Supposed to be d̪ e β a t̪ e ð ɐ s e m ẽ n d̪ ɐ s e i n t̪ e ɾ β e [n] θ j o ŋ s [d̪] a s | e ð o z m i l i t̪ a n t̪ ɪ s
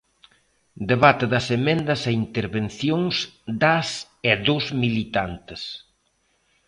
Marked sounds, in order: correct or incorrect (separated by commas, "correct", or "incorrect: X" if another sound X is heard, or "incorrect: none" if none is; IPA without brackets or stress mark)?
correct, correct